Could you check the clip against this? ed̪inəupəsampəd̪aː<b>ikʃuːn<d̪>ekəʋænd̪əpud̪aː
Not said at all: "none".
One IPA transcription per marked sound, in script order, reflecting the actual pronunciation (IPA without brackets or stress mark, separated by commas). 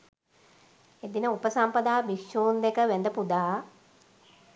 b, d̪